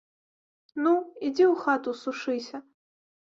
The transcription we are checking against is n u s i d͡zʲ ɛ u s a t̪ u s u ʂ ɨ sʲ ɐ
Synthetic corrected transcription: n u i d͡zʲ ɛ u x a t̪ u s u ʂ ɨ sʲ ɐ

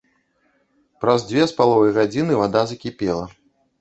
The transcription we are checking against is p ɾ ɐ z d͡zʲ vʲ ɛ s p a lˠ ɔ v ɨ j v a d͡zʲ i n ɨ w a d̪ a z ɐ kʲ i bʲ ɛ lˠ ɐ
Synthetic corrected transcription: p ɾ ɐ z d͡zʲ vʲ ɛ s p a lˠ ɔ v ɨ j ɣ a d͡zʲ i n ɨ v a d̪ a z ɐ kʲ i pʲ ɛ lˠ ɐ

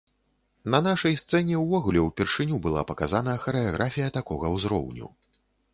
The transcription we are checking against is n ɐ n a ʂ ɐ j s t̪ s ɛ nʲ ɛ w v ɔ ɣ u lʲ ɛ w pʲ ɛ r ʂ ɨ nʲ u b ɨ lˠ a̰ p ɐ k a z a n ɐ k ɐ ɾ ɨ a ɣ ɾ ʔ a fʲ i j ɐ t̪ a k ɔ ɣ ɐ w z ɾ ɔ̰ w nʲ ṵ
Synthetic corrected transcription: n ɐ n a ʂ ɐ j s t̪ s ɛ nʲ ɛ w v ɔ ɣ u lʲ ɛ w pʲ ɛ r ʂ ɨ nʲ u b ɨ lˠ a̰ p ɐ k a z a n ɐ x ɐ ɾ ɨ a ɣ ɾ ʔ a fʲ i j ɐ t̪ a k ɔ ɣ ɐ w z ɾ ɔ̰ w nʲ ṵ

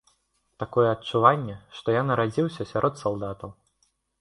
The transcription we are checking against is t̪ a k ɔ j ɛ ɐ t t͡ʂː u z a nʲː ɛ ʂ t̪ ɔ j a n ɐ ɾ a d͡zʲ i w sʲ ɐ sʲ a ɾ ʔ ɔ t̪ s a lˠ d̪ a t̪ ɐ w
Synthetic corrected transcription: t̪ a k ɔ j ɛ ɐ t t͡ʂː u v a nʲː ɛ ʂ t̪ ɔ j a n ɐ ɾ a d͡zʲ i w sʲ ɐ sʲ a ɾ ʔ ɔ t̪ s a lˠ d̪ a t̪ ɐ w

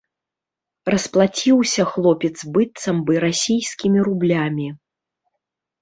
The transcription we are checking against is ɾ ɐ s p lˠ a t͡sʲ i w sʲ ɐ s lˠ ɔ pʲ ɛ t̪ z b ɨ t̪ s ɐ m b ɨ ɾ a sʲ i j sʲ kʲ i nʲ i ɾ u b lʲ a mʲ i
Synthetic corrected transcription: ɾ ɐ s p lˠ a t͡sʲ i w sʲ ɐ x lˠ ɔ pʲ ɛ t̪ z b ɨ t̪ s ɐ m b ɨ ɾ a sʲ i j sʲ kʲ i mʲ i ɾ u b lʲ a mʲ i

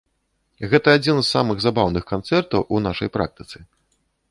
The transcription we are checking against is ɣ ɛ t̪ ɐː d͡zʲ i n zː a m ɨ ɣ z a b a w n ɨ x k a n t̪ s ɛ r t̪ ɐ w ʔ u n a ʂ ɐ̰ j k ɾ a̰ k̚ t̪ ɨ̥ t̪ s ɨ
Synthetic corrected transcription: ɣ ɛ t̪ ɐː d͡zʲ i n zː a m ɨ ɣ z a b a w n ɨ x k a n t̪ s ɛ r t̪ ɐ w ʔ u n a ʂ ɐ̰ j p ɾ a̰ k̚ t̪ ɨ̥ t̪ s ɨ

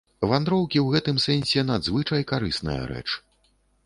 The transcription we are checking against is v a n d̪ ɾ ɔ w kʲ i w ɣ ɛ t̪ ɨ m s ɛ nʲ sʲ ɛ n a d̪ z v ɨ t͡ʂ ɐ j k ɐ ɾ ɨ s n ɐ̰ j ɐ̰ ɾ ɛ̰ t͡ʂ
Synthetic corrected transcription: v a n d̪ ɾ ɔ w kʲ i w ɣ ɛ t̪ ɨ m s ɛ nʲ sʲ ɛ n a d̪ z v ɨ t͡ʂ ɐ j k a ɾ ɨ s n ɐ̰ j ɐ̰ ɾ ɛ̰ t͡ʂ

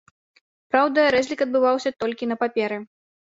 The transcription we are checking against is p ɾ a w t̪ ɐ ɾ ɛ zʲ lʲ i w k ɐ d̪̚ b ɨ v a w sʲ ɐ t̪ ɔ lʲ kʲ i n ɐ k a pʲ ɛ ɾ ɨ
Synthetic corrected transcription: p ɾ a w d̪ ɐ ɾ ɛ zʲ lʲ i k ɐ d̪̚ b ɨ v a w sʲ ɐ t̪ ɔ lʲ kʲ i n ɐ p a pʲ ɛ ɾ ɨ

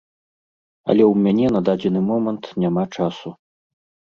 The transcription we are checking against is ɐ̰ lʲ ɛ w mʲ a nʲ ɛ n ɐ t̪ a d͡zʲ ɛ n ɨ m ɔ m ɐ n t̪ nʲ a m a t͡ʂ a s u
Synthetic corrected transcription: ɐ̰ lʲ ɛ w mʲ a nʲ ɛ n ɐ d̪ a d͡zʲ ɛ n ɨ m ɔ m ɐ n t̪ nʲ a m a t͡ʂ a s u

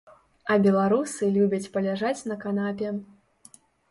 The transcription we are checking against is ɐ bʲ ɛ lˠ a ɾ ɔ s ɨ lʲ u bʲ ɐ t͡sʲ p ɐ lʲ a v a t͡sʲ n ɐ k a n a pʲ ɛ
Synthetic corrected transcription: ɐ bʲ ɛ lˠ a ɾ u s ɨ lʲ u bʲ ɐ t͡sʲ p ɐ lʲ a ʐ a t͡sʲ n ɐ k a n a pʲ ɛ

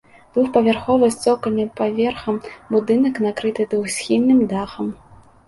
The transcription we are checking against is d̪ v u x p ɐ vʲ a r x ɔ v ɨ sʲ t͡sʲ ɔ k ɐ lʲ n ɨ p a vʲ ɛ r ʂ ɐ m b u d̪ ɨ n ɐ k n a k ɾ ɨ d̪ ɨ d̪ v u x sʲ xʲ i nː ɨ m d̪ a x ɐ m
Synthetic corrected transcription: d̪ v u x p ɐ vʲ a r x ɔ v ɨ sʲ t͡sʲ ɔ k ɐ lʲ n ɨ p a vʲ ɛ r x ɐ m b u d̪ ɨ n ɐ k n a k ɾ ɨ t̪ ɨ d̪ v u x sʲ xʲ i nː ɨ m d̪ a x ɐ m

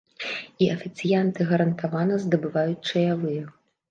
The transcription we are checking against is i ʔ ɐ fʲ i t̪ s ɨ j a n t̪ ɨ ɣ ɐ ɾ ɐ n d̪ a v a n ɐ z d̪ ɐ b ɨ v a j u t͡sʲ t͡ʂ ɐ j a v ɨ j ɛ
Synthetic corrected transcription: i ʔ ɐ fʲ i t̪ s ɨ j a n t̪ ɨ ɣ ɐ ɾ ɐ n t̪ a v a n ɐ z d̪ ɐ b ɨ v a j u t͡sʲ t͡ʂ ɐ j a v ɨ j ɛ

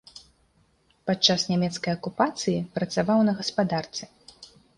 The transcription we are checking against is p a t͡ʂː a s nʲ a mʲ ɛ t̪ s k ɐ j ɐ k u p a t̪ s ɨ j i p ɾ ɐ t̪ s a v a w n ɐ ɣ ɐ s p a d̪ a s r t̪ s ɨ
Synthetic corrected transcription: p a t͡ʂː a s nʲ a mʲ ɛ t̪ s k ɐ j ɐ k u p a t̪ s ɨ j i p ɾ ɐ t̪ s a v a w n ɐ ɣ ɐ s p a d̪ a r t̪ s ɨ

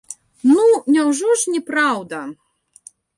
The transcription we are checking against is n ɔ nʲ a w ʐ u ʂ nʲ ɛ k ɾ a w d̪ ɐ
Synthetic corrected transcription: n u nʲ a w ʐ ɔ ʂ nʲ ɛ p ɾ a w d̪ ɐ

